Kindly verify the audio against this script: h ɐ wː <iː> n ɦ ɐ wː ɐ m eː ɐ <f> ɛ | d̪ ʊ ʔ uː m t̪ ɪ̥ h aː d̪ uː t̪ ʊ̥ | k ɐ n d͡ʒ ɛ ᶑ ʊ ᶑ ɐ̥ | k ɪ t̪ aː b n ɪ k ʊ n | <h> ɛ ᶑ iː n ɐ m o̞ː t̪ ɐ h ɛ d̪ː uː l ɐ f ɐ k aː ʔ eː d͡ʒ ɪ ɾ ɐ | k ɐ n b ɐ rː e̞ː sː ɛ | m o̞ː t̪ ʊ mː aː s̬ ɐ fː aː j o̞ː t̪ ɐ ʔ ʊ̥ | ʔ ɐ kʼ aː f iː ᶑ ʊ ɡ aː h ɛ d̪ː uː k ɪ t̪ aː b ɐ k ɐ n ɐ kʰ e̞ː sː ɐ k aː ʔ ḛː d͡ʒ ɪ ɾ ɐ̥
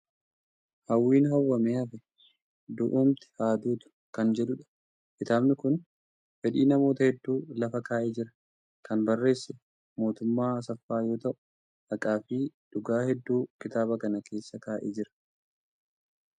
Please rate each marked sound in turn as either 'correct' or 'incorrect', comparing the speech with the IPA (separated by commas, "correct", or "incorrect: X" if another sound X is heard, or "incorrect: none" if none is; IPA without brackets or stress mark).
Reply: correct, correct, incorrect: f